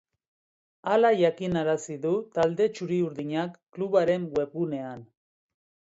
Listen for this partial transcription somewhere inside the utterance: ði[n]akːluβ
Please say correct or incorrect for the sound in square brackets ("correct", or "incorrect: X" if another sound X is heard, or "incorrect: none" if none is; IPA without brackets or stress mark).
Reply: incorrect: ɲ